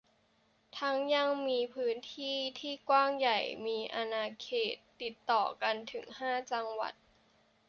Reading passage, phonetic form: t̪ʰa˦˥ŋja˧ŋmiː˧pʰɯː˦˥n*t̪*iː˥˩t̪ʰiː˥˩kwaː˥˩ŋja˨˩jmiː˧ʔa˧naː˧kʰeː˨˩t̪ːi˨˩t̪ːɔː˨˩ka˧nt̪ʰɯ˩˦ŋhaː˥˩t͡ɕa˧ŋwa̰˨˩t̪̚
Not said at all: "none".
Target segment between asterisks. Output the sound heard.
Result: t̪ʰ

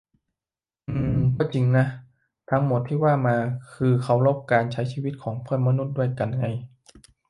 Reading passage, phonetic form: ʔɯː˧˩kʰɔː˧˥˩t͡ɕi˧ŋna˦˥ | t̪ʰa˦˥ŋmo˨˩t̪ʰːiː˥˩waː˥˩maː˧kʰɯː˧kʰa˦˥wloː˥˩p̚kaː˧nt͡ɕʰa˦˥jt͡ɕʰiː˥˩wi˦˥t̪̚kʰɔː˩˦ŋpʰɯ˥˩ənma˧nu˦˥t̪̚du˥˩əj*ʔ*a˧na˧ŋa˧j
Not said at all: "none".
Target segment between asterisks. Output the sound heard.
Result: k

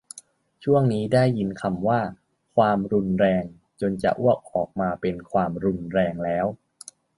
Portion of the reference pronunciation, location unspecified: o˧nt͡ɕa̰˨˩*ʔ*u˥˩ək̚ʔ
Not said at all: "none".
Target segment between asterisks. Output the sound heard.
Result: ʔ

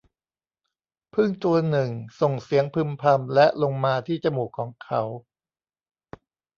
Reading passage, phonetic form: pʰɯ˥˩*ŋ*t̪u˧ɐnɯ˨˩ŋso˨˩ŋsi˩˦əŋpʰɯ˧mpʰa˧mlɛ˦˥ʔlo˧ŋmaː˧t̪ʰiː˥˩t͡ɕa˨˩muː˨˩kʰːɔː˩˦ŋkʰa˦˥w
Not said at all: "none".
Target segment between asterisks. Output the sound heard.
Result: ŋ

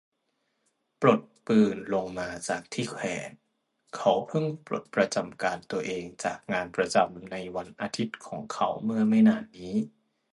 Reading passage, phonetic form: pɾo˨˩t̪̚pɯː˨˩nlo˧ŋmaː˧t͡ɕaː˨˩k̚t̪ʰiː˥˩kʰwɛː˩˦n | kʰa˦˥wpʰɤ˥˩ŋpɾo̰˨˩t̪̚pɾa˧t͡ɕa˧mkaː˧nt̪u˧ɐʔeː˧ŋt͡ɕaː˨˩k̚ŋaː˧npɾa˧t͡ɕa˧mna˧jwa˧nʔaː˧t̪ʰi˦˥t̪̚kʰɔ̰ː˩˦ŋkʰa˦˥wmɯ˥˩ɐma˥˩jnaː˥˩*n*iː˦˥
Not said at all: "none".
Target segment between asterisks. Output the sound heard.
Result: nː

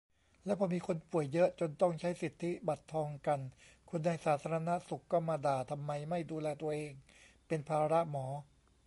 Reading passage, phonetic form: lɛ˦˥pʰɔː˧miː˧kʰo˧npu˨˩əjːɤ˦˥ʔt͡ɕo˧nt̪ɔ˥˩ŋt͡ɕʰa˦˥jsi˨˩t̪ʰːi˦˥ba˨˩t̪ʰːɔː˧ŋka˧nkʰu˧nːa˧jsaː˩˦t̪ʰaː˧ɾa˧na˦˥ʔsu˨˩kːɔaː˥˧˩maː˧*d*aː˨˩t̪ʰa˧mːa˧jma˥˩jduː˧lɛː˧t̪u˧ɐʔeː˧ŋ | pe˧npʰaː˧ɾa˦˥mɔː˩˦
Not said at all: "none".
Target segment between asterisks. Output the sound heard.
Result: d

